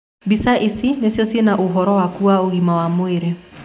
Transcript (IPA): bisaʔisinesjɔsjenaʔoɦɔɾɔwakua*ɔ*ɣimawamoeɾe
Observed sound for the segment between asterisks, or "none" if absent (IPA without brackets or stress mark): o